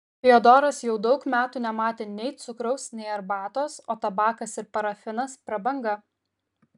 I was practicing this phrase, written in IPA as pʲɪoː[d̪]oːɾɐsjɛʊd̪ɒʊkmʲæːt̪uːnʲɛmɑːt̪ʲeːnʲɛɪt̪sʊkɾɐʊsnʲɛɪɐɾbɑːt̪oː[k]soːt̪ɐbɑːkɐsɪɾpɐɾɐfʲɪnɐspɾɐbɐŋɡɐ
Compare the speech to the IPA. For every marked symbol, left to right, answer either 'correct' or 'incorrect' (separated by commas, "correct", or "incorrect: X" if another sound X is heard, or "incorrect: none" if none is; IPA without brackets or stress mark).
correct, incorrect: none